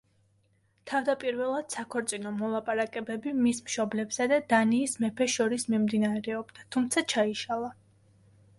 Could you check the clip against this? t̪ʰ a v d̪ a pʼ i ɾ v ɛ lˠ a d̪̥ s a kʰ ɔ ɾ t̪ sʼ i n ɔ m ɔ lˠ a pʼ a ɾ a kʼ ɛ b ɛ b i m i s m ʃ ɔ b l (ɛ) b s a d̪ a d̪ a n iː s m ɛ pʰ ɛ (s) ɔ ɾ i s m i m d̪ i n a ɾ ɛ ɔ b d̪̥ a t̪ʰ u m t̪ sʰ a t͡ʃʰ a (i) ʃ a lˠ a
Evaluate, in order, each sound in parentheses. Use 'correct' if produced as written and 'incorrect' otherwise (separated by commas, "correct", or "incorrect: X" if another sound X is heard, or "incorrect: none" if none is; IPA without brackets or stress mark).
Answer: correct, incorrect: ʃ, correct